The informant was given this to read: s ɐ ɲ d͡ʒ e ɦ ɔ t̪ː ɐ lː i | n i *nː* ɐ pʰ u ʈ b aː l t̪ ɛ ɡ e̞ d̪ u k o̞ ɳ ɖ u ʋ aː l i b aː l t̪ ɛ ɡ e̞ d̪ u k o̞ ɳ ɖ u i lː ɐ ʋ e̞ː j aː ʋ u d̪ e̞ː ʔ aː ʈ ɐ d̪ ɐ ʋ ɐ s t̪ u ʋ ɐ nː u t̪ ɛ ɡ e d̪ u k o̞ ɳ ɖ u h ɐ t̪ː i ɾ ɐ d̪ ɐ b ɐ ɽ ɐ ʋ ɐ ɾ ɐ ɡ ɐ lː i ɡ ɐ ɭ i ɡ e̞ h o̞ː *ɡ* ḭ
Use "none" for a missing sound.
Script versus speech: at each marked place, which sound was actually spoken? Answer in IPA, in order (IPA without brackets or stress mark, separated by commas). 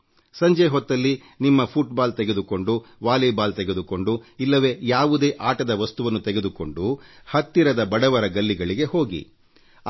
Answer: mː, ɡ